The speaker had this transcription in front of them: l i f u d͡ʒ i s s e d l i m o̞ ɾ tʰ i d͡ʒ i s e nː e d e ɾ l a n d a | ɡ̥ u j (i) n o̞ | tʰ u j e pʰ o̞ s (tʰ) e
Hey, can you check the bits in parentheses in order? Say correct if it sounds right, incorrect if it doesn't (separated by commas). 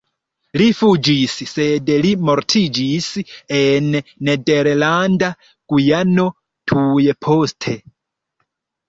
incorrect, correct